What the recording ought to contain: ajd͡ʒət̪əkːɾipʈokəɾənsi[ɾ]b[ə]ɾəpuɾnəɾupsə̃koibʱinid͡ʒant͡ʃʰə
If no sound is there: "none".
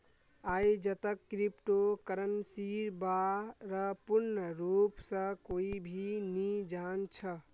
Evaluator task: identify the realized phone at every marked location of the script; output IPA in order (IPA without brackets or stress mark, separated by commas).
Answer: ɾ, a